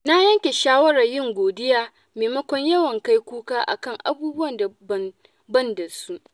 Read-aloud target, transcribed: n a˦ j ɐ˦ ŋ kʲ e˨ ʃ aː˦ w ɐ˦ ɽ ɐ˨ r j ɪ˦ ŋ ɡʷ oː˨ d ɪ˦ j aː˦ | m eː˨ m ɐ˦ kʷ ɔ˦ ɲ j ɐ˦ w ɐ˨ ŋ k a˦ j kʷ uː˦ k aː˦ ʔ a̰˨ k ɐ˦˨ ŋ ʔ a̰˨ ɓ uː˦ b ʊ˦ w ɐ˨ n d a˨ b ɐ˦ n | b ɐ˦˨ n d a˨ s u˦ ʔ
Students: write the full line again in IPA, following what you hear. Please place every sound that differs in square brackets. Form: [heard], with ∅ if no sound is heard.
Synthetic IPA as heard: n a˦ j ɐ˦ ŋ kʲ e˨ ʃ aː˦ w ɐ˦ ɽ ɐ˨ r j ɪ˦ ŋ ɡʷ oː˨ d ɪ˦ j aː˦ | m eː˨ m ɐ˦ kʷ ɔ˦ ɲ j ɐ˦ w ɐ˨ ŋ k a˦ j kʷ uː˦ k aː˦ ʔ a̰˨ k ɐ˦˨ ŋ ʔ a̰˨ [b] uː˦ b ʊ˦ w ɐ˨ n d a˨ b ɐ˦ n | b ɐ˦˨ n d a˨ s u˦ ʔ